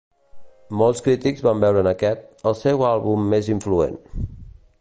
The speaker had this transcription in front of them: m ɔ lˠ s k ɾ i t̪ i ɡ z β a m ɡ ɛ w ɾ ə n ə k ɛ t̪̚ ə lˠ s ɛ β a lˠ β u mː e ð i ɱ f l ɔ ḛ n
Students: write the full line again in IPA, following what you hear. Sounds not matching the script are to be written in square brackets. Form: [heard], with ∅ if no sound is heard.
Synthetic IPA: m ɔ lˠ s k ɾ i t̪ i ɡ z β a m [b] ɛ w ɾ ə n ə k ɛ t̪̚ ə lˠ s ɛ [w] a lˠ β u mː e [z] i ɱ f l [u] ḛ n